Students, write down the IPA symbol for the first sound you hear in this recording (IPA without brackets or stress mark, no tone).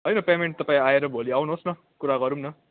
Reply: ɦ